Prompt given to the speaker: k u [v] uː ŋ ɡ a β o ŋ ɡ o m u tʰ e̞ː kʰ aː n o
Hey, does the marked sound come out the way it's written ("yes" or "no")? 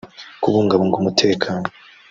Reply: no